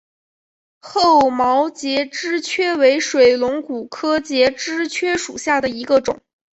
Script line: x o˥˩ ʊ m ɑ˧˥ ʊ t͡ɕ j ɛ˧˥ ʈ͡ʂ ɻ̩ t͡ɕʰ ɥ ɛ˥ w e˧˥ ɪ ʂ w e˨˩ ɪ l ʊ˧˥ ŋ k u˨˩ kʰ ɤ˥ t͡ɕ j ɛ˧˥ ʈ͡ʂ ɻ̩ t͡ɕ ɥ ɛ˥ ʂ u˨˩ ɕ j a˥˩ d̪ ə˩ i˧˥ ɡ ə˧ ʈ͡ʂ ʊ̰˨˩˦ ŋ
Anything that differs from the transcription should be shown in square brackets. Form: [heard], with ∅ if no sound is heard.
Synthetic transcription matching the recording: x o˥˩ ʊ m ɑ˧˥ ʊ t͡ɕ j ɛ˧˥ ʈ͡ʂ ɻ̩ t͡ɕʰ ɥ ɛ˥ w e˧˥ ɪ ʂ w e˨˩ ɪ l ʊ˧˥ ŋ k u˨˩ kʰ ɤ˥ t͡ɕ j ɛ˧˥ ʈ͡ʂ ɻ̩ [t͡ɕʰ] ɥ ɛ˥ ʂ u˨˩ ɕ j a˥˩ d̪ ə˩ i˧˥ ɡ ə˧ ʈ͡ʂ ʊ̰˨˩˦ ŋ

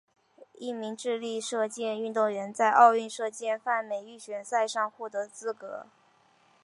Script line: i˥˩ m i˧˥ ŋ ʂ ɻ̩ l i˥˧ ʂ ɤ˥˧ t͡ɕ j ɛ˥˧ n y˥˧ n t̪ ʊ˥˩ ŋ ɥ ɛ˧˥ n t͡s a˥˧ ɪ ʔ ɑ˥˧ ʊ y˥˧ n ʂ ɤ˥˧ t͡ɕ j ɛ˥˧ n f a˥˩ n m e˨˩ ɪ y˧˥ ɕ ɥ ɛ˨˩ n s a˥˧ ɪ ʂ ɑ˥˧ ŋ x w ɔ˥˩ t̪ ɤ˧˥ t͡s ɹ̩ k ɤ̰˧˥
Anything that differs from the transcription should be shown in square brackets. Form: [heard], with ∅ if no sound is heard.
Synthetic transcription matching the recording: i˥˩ m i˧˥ ŋ [ʈ͡ʂ] ɻ̩ l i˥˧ ʂ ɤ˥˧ t͡ɕ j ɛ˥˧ n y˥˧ n t̪ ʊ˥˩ ŋ ɥ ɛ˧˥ n t͡s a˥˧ ɪ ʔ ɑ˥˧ ʊ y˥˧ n ʂ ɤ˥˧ t͡ɕ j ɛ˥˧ n f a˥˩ n m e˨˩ ɪ [y˥˩] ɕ ɥ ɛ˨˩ n s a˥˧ ɪ ʂ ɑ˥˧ ŋ x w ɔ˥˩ t̪ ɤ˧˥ t͡s ɹ̩ k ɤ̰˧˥

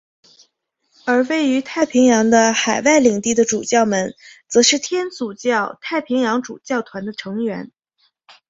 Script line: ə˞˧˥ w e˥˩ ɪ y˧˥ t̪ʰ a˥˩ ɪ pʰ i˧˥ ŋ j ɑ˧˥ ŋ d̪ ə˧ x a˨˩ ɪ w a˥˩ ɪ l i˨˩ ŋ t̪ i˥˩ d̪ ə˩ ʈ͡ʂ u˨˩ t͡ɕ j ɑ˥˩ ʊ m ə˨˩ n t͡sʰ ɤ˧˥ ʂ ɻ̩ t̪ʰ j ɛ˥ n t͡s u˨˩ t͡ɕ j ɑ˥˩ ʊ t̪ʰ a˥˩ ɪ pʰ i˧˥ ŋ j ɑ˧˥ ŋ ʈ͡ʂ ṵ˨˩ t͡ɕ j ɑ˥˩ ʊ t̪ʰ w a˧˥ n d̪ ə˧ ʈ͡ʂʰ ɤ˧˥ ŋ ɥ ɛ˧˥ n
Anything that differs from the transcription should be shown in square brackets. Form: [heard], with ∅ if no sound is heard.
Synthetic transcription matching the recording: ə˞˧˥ w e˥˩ ɪ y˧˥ t̪ʰ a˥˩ ɪ pʰ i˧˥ ŋ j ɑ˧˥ ŋ d̪ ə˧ x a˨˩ ɪ w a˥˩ ɪ l i˨˩ ŋ t̪ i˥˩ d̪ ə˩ ʈ͡ʂ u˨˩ t͡ɕ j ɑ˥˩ ʊ m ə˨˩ n [t͡s] ɤ˧˥ ʂ ɻ̩ t̪ʰ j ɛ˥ n t͡s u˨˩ t͡ɕ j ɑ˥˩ ʊ t̪ʰ a˥˩ ɪ pʰ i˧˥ ŋ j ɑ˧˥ ŋ ʈ͡ʂ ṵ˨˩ t͡ɕ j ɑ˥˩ ʊ t̪ʰ w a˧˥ n d̪ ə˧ ʈ͡ʂʰ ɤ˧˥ ŋ ɥ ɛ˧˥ n

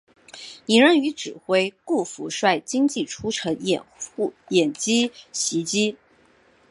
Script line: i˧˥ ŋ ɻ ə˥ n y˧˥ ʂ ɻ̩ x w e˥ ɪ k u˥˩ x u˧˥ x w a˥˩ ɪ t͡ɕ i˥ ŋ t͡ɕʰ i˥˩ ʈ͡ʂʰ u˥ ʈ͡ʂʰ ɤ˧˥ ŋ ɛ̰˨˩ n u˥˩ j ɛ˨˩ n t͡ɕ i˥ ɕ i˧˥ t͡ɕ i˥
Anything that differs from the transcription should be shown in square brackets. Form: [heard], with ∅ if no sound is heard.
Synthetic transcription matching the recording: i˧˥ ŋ ɻ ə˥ n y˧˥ [ʈ͡ʂ] ɻ̩ x w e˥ ɪ k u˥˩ [f] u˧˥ [ʂ] w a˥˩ ɪ t͡ɕ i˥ ŋ [t͡ɕ] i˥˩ ʈ͡ʂʰ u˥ ʈ͡ʂʰ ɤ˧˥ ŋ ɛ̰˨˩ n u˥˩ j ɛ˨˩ n t͡ɕ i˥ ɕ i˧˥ t͡ɕ i˥

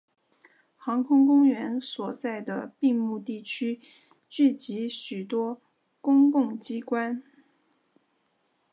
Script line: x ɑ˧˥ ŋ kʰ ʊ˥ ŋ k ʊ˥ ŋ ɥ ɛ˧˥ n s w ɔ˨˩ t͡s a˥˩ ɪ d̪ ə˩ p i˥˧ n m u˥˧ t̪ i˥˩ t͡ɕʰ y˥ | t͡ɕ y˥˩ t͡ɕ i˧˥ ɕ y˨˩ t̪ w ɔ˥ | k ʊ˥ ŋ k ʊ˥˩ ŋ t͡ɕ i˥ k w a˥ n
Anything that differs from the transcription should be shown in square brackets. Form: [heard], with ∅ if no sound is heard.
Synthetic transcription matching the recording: x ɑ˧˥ ŋ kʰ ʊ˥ ŋ k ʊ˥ ŋ ɥ ɛ˧˥ n s w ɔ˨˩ t͡s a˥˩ ɪ d̪ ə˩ p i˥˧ [ŋ] m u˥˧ t̪ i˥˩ t͡ɕʰ y˥ | t͡ɕ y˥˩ t͡ɕ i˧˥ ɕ y˨˩ t̪ w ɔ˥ | k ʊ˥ ŋ k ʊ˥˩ ŋ t͡ɕ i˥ k w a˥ n

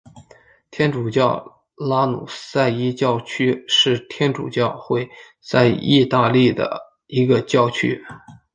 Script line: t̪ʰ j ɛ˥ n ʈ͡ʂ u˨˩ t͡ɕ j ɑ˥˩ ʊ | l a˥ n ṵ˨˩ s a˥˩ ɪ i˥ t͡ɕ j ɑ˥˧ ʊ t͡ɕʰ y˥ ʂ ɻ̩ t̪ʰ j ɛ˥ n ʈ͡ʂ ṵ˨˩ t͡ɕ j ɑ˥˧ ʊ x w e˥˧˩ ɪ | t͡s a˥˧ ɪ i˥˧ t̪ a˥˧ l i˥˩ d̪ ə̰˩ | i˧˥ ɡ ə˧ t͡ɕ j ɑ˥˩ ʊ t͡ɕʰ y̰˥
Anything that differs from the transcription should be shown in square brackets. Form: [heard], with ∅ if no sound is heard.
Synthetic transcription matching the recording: t̪ʰ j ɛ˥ n ʈ͡ʂ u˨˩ t͡ɕ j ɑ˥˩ ʊ | l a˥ n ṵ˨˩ s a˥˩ ɪ i˥ t͡ɕ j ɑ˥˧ ʊ t͡ɕʰ y˥ ʂ ɻ̩ t̪ʰ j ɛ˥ n ʈ͡ʂ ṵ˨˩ t͡ɕ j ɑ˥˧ ʊ x w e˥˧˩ ɪ | t͡s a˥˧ ɪ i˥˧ t̪ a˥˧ l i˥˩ d̪ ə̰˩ | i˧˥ ɡ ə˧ t͡ɕ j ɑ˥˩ ʊ t͡ɕʰ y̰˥

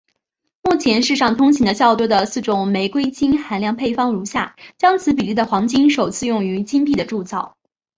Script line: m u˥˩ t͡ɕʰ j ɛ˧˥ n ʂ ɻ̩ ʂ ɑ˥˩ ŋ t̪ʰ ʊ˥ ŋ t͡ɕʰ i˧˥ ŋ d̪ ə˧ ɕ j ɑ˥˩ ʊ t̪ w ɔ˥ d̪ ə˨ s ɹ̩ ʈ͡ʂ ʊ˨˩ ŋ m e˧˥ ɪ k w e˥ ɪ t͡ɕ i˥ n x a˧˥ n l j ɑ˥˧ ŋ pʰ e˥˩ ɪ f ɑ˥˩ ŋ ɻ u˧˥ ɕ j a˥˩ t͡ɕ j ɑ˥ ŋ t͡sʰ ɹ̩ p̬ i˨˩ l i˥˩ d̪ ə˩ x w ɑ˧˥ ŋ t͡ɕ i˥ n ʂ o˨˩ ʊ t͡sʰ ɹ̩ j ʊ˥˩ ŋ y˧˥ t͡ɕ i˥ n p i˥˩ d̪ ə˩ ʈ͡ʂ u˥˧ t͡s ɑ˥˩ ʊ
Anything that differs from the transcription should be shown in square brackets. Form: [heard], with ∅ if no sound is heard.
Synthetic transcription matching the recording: m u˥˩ t͡ɕʰ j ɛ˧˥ n ʂ ɻ̩ ʂ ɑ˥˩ ŋ t̪ʰ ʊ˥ ŋ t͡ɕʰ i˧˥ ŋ d̪ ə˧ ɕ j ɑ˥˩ ʊ t̪ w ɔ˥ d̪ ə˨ s ɹ̩ ʈ͡ʂ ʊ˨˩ ŋ m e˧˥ ɪ k w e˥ ɪ t͡ɕ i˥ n x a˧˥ n l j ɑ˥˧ ŋ pʰ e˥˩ ɪ f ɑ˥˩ ŋ ɻ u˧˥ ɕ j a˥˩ t͡ɕ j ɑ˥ ŋ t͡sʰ ɹ̩ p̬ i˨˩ l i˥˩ d̪ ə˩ x w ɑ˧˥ ŋ t͡ɕ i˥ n ʂ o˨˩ ʊ t͡sʰ ɹ̩ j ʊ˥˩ ŋ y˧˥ t͡ɕ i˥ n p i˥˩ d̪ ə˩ ʈ͡ʂ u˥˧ t͡s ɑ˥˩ ʊ

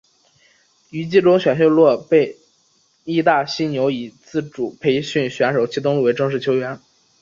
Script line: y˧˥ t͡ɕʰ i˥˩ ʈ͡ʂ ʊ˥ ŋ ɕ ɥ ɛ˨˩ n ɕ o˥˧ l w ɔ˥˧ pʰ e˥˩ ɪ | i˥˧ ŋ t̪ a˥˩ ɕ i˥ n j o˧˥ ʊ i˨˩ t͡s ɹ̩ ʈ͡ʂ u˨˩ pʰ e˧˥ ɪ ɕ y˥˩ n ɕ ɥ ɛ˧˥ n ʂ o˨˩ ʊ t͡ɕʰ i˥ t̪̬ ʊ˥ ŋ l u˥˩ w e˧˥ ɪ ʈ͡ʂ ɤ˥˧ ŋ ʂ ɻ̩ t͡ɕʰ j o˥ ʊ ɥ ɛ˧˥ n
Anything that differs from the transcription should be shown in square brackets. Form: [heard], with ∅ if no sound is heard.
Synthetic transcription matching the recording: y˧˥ [t͡ɕ] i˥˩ ʈ͡ʂ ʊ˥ ŋ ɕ ɥ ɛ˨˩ n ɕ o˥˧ l w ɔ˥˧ [p] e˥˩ ɪ | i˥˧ [∅] t̪ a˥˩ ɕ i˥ n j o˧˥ ʊ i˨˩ t͡s ɹ̩ ʈ͡ʂ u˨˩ pʰ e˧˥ ɪ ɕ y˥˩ n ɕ ɥ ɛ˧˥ n ʂ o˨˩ ʊ t͡ɕʰ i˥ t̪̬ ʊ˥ ŋ l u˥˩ w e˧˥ ɪ ʈ͡ʂ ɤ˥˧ ŋ ʂ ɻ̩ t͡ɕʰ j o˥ ʊ ɥ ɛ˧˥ n

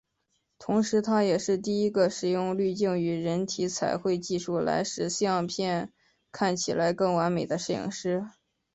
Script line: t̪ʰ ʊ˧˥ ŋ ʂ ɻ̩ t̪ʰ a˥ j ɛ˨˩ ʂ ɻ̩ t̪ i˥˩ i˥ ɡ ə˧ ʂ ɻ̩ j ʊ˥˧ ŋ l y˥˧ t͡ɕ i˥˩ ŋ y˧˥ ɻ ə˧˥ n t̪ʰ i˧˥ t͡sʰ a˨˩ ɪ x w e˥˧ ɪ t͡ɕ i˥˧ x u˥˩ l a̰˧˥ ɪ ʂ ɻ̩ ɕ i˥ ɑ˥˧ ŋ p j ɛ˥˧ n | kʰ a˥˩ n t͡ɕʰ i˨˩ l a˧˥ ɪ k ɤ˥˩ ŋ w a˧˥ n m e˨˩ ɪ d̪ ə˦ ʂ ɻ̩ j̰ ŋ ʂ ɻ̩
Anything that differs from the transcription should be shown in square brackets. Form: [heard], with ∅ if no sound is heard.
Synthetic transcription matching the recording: t̪ʰ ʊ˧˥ ŋ ʂ ɻ̩ t̪ʰ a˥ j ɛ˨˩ ʂ ɻ̩ t̪ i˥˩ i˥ ɡ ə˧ ʂ ɻ̩ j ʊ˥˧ ŋ l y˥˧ t͡ɕ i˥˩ ŋ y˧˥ ɻ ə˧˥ n t̪ʰ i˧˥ t͡sʰ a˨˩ ɪ x w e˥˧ ɪ t͡ɕ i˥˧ [ʂ] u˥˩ l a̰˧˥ ɪ ʂ ɻ̩ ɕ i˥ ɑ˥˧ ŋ [pʰ] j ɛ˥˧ n | kʰ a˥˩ n t͡ɕʰ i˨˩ l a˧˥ ɪ k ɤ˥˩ ŋ w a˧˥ n m e˨˩ ɪ d̪ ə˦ ʂ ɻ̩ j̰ ŋ ʂ ɻ̩

